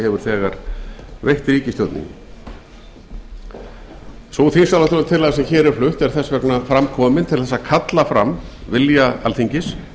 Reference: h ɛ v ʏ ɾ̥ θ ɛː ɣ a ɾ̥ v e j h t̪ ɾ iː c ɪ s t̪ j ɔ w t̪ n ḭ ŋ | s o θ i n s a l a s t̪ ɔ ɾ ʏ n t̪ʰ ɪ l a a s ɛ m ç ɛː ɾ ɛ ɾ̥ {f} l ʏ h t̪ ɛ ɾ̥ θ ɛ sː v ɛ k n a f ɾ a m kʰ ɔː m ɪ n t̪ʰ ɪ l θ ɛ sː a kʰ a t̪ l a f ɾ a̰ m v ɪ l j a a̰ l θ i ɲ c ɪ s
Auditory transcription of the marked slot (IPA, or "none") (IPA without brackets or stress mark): f